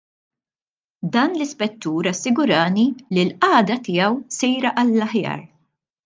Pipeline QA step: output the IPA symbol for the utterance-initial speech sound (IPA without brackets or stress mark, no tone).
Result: d̪